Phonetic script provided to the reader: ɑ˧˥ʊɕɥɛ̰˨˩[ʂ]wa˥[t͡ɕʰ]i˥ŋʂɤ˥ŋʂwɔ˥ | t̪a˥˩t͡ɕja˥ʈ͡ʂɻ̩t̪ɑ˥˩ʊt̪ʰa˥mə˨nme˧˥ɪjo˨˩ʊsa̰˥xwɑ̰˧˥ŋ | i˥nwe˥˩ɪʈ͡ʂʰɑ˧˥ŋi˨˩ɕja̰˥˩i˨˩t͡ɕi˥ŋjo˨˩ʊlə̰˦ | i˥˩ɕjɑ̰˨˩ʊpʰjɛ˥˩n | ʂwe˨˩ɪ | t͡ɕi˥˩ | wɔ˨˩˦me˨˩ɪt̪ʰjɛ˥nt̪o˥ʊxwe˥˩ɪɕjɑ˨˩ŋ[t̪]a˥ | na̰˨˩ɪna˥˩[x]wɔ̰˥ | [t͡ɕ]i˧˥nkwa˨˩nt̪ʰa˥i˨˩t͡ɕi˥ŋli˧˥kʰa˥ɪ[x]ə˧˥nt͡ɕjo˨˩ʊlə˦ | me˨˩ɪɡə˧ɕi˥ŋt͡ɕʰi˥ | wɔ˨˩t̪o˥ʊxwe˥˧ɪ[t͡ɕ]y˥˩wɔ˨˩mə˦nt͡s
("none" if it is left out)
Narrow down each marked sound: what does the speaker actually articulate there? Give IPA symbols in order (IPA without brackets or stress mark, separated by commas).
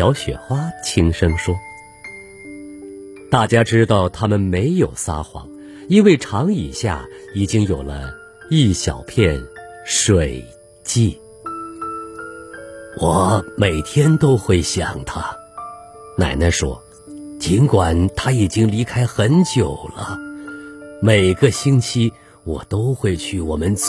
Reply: x, t͡ɕʰ, t̪ʰ, ʂ, t͡ɕ, x, t͡ɕʰ